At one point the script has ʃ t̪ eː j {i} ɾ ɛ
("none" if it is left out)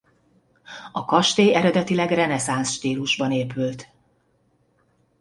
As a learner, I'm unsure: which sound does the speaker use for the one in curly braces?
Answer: ɛ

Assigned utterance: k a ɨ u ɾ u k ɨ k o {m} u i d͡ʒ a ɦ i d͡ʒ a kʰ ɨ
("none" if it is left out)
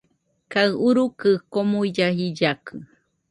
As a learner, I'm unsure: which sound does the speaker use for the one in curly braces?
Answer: m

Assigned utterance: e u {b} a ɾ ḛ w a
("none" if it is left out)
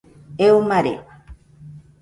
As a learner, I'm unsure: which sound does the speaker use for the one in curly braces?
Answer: m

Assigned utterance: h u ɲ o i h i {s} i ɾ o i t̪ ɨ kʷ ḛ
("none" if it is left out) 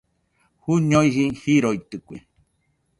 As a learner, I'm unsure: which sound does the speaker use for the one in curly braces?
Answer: h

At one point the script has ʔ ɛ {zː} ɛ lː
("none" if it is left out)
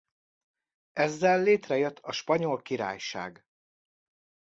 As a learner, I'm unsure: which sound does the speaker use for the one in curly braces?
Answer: zː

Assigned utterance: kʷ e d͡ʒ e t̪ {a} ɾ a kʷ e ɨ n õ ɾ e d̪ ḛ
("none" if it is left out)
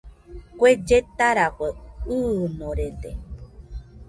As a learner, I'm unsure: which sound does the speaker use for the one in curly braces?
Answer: a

